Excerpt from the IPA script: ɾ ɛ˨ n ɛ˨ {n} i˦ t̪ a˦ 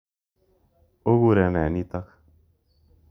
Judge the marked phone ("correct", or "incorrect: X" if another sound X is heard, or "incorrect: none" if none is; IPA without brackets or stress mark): correct